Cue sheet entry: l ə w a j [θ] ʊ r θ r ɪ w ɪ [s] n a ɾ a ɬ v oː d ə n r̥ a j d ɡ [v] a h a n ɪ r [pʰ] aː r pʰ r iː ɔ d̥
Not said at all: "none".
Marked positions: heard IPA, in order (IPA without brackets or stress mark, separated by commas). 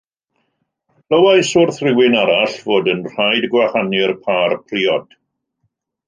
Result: s, none, w, pʰ